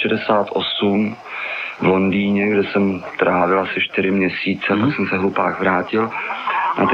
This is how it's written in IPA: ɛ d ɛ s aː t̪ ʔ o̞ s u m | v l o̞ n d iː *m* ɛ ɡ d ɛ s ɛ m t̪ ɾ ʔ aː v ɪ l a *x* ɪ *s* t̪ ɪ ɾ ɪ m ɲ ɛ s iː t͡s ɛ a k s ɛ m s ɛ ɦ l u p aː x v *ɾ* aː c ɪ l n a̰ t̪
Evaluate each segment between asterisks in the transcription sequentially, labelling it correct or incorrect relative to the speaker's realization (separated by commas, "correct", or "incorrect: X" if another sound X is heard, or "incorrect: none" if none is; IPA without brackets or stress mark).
incorrect: ɲ, incorrect: s, incorrect: ʃ, correct